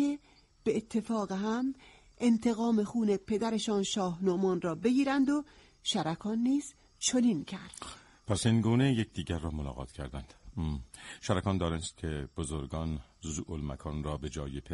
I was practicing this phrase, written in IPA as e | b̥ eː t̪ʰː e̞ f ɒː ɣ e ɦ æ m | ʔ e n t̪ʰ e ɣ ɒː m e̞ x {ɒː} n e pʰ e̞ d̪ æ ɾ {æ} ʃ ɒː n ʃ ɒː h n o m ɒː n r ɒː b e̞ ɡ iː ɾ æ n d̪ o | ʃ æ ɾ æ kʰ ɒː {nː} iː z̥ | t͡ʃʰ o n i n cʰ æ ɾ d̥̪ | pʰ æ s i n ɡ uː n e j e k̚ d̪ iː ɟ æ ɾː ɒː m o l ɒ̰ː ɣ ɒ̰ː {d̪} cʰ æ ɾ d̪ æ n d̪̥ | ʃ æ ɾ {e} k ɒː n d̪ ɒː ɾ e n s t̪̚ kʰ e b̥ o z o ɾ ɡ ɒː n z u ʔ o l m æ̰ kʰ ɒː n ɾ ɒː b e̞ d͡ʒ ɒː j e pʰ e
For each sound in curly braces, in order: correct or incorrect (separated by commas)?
incorrect, incorrect, correct, incorrect, incorrect